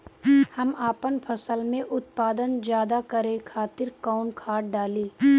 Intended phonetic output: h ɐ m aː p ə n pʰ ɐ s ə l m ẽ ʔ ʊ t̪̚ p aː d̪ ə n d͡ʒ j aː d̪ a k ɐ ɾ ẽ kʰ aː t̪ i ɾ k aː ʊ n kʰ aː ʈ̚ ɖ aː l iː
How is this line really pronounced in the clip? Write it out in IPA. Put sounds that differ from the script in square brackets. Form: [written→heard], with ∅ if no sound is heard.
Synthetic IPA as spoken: h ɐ m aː p ə n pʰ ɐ s ə l m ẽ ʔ ʊ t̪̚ p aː d̪ ə n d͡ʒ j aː d̪ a k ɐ ɾ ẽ kʰ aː t̪ [i→ɪ] ɾ k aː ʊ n kʰ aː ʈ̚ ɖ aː l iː

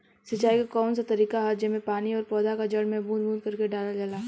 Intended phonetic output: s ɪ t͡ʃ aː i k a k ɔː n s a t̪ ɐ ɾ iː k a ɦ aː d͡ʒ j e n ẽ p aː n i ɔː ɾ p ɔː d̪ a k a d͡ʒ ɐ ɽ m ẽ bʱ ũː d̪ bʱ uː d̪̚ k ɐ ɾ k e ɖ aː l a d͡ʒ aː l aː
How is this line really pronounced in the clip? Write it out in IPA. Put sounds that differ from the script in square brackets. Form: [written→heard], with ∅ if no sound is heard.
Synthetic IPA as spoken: s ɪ t͡ʃ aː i k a k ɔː n s a t̪ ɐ ɾ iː k a ɦ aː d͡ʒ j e [n→m] ẽ p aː n i ɔː ɾ p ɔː d̪ a k a d͡ʒ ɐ ɽ m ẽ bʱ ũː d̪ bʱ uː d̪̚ k ɐ ɾ k e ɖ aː l a d͡ʒ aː l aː

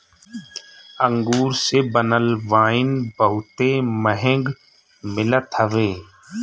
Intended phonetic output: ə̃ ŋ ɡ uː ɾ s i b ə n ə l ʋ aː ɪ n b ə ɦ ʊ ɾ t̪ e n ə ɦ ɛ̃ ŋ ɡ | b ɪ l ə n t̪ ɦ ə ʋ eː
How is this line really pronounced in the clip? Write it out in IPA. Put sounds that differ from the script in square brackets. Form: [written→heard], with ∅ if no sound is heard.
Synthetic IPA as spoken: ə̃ ŋ ɡ uː ɾ s [i→e] b ə n ə l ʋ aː ɪ n b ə ɦ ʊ [ɾ→∅] t̪ e [n→m] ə ɦ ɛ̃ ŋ ɡ | [b→m] ɪ l ə [n→∅] t̪ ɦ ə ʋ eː

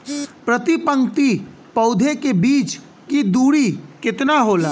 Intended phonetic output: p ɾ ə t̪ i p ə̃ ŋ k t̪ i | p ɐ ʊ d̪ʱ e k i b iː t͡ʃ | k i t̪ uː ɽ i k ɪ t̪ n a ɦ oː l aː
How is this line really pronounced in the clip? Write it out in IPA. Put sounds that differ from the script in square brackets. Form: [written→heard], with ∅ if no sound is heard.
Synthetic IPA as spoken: p ɾ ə t̪ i p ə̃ ŋ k t̪ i | p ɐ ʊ d̪ʱ e k [i→e] b iː t͡ʃ | k i [t̪→d̪] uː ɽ i k ɪ t̪ n a ɦ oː l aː

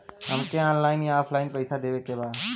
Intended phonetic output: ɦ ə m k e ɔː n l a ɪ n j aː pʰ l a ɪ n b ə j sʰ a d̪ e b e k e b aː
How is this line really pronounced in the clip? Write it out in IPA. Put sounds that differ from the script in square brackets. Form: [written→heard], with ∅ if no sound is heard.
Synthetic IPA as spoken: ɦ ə m k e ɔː n l a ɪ n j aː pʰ l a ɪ n [b→p] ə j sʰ a d̪ e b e k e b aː

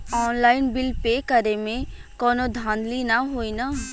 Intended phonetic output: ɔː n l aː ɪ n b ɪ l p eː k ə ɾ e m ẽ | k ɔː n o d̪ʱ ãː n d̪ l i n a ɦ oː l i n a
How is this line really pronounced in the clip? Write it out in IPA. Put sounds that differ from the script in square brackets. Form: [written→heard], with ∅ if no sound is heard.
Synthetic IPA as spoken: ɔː n l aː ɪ n b ɪ l p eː k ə ɾ e m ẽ | k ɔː n o d̪ʱ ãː n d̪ l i n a ɦ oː [l→∅] i n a

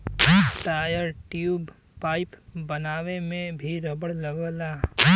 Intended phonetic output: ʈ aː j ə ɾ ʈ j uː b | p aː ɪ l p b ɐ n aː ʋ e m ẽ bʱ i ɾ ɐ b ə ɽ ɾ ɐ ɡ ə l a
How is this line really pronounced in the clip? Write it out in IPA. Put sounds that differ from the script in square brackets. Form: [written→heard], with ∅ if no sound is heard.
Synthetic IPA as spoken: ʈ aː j ə ɾ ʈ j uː b | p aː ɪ [l→∅] p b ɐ n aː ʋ e m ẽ bʱ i ɾ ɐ b ə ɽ [ɾ→l] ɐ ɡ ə l a

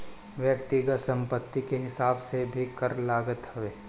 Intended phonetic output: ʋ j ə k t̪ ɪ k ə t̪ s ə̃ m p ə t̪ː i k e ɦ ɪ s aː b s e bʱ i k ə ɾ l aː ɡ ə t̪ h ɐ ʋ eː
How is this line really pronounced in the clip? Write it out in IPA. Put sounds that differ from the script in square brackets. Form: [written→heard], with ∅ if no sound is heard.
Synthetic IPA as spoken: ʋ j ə k t̪ ɪ [k→ɡ] ə t̪ s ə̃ m p ə t̪ː i k e ɦ ɪ s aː b s e bʱ i k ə ɾ l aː ɡ ə t̪ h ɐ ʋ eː

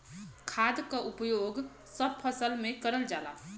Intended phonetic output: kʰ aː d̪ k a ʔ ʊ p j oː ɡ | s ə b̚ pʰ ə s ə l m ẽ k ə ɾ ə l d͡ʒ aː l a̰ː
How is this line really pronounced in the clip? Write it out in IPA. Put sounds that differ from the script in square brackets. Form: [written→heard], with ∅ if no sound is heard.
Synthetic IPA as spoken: kʰ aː d̪ k a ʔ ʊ p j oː ɡ | s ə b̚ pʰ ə s ə l m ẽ k ə ɾ ə l d͡ʒ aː l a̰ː

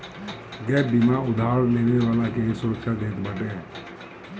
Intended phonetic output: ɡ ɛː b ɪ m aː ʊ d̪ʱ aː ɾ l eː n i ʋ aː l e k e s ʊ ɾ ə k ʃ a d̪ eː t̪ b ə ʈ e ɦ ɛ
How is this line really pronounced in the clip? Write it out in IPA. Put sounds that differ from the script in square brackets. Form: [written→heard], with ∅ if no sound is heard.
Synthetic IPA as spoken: ɡ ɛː b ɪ m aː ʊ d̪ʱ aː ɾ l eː n [i→e] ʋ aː l [e→a] k e s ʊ ɾ ə k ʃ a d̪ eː t̪ b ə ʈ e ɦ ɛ

